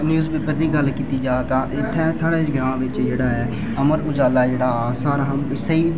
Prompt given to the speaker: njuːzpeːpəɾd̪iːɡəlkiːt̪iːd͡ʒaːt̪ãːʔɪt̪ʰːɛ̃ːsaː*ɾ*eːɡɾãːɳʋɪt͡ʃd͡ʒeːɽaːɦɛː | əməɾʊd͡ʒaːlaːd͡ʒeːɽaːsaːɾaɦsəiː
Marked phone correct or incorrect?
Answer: incorrect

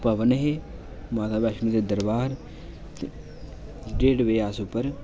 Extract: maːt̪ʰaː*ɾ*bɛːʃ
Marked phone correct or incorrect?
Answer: incorrect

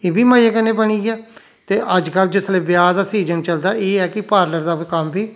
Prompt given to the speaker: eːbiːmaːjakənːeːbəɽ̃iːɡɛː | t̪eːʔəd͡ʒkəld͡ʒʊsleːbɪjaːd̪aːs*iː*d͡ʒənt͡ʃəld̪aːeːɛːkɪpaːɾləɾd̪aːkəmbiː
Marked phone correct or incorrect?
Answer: correct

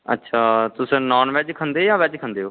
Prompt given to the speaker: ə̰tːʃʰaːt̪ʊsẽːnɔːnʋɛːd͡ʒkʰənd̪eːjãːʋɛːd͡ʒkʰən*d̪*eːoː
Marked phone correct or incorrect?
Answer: correct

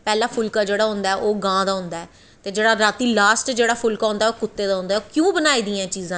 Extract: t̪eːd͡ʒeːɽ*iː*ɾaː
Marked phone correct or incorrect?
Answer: incorrect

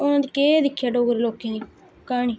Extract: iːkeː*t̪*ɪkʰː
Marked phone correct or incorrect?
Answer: incorrect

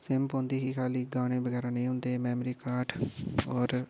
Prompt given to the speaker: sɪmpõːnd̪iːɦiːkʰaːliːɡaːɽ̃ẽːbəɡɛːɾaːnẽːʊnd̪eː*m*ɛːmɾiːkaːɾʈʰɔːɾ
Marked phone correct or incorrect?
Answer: correct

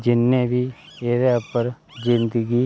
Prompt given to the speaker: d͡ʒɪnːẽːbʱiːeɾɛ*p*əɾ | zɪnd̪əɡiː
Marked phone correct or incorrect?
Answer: correct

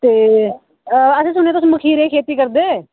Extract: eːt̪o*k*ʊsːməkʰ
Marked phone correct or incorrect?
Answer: incorrect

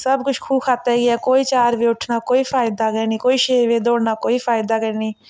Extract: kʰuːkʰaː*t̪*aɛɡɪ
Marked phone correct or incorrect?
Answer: correct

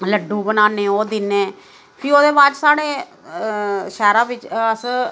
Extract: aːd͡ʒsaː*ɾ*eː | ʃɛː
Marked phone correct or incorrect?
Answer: incorrect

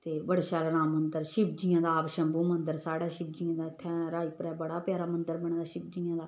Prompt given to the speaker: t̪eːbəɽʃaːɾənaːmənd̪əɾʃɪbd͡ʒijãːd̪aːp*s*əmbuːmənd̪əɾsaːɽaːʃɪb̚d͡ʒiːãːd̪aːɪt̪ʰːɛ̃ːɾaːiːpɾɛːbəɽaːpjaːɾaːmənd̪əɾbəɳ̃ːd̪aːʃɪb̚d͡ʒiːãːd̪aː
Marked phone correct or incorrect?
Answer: incorrect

